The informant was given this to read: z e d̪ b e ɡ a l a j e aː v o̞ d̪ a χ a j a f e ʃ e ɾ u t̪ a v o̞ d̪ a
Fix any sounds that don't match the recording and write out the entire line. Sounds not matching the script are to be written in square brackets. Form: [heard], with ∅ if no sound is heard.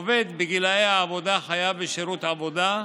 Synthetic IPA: [v] e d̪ b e ɡ [i] l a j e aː v o̞ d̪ a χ a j a [v] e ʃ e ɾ u t̪ a v o̞ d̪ a